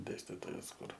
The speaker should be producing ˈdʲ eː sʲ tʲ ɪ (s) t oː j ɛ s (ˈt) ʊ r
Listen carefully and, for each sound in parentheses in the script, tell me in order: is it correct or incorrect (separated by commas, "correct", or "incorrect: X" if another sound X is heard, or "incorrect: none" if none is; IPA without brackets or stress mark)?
incorrect: none, incorrect: k